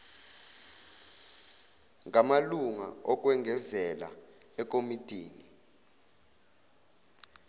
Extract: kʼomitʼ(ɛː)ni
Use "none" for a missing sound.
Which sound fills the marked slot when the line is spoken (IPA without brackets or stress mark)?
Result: iː